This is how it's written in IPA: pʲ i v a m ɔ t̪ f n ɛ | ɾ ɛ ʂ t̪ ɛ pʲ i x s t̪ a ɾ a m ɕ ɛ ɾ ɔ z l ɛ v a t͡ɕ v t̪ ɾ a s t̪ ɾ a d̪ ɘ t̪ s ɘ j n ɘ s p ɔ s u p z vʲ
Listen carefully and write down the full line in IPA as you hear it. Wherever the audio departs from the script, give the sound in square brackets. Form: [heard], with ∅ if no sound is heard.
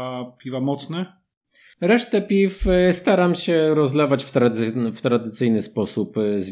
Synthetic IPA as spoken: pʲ i v a m ɔ t̪ [s] n ɛ | ɾ ɛ ʂ t̪ ɛ pʲ i [f] s t̪ a ɾ a m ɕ ɛ ɾ ɔ z l ɛ v a t͡ɕ [f] t̪ ɾ a [f] t̪ ɾ a d̪ ɘ t̪ s ɘ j n ɘ s p ɔ s u p z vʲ